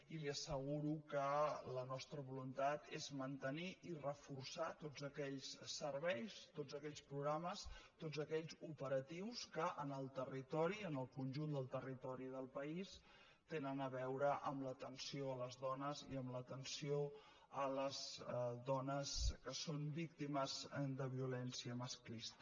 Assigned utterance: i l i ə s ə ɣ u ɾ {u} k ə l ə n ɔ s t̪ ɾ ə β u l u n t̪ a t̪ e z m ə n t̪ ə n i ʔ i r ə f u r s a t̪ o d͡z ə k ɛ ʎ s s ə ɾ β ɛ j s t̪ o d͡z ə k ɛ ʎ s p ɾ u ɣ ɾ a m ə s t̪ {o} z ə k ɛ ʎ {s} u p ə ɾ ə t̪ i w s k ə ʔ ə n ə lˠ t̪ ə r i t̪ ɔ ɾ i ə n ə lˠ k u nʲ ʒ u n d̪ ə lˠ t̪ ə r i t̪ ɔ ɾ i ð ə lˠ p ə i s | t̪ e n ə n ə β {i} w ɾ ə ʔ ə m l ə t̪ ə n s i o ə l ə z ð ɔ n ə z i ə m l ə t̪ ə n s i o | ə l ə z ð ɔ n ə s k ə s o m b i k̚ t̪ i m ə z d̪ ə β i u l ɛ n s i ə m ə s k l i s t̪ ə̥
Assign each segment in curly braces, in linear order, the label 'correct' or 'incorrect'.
correct, correct, incorrect: z, incorrect: ɛ

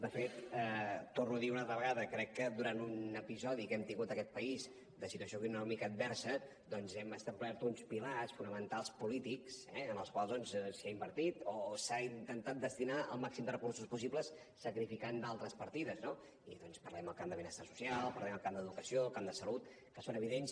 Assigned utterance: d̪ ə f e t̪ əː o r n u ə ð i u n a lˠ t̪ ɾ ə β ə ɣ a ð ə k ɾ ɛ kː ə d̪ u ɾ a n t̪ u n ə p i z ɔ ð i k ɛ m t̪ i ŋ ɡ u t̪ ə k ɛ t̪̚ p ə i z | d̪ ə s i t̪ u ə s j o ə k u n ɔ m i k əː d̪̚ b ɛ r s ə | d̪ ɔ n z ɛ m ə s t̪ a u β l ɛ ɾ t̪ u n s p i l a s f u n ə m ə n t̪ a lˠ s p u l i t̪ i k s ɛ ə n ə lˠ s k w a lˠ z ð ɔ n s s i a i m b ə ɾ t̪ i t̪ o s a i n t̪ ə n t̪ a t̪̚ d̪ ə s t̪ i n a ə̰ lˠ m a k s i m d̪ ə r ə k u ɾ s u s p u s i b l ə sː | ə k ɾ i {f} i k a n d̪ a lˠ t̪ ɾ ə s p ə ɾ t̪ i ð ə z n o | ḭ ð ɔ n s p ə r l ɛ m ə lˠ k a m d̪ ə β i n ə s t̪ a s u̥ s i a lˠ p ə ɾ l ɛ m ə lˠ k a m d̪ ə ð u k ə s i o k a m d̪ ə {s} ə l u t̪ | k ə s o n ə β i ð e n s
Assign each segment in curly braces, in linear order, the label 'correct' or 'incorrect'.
correct, correct

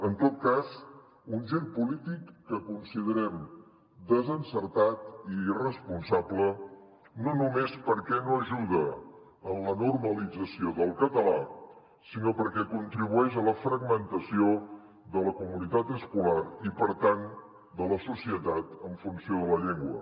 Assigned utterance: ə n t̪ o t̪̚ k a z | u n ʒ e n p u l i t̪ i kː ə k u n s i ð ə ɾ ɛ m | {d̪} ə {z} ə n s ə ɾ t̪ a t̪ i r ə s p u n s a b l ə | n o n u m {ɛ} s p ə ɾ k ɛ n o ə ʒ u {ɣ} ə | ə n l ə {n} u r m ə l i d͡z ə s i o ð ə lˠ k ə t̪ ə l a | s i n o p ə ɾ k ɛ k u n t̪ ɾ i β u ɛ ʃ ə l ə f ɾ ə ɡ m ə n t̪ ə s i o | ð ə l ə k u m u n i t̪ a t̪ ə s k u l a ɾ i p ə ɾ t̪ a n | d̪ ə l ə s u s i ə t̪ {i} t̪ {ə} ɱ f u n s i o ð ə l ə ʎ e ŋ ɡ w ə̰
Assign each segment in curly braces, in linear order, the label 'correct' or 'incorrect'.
correct, correct, incorrect: e, incorrect: ð, correct, incorrect: a, correct

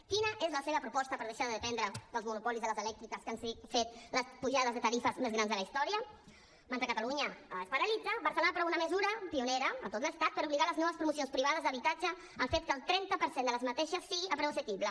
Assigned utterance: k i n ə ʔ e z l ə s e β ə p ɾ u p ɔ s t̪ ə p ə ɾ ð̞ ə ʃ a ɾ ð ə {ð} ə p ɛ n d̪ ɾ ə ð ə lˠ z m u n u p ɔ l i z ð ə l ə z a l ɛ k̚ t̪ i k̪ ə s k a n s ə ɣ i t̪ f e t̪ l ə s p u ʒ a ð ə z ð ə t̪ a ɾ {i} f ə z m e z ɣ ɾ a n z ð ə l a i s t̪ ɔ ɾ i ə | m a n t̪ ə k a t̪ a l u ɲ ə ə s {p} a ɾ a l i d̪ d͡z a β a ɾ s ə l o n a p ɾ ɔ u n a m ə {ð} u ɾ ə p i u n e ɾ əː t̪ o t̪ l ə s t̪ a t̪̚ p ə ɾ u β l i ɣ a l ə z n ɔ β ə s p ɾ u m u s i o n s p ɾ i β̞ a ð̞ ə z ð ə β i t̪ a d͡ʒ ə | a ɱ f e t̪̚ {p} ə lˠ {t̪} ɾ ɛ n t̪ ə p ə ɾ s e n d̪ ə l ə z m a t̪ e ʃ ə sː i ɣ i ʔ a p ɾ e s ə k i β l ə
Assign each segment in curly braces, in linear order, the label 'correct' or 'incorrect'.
correct, correct, correct, incorrect: z, incorrect: k, correct

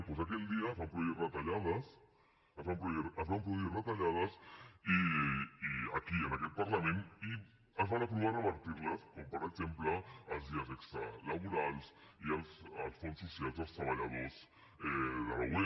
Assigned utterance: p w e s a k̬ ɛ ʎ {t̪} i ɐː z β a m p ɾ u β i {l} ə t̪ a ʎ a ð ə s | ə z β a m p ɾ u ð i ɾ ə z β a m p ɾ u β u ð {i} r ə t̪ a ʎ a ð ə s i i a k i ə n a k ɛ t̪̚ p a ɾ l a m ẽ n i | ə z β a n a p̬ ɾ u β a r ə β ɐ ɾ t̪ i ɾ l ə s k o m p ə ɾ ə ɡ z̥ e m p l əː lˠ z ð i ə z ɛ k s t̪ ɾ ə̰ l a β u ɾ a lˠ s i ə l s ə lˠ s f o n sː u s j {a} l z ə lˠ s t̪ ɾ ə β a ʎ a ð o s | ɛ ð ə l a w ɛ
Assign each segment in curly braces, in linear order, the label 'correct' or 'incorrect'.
incorrect: d̪, incorrect: r, correct, correct

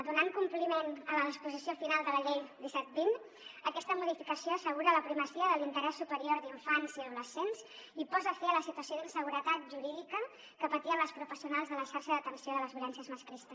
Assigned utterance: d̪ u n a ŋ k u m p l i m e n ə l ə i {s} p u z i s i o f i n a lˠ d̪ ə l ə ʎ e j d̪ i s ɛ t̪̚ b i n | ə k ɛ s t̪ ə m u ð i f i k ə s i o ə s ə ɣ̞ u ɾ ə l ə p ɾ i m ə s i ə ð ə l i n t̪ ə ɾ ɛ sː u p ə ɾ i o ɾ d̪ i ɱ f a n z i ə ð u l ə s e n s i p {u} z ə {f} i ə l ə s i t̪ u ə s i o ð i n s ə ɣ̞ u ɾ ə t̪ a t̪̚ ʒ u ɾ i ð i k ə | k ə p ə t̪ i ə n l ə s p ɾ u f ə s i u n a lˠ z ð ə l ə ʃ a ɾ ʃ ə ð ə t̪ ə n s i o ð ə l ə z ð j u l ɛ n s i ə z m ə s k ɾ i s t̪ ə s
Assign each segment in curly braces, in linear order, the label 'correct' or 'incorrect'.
correct, incorrect: ɔ, correct

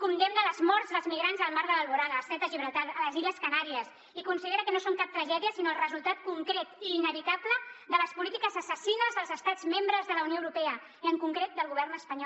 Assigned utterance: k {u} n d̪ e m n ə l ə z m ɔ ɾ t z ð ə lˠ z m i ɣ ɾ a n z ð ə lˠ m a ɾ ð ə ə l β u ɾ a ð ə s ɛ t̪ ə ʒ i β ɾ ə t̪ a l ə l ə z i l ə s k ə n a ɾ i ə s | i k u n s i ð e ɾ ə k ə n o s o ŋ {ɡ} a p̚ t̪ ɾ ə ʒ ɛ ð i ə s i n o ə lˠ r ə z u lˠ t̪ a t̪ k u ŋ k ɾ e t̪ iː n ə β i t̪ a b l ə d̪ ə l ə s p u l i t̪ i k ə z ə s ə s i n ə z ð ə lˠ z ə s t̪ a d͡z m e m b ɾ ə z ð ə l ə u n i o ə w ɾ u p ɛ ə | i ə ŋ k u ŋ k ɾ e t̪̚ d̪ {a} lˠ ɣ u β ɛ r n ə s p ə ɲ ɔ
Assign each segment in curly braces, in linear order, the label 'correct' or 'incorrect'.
correct, incorrect: k, incorrect: ə

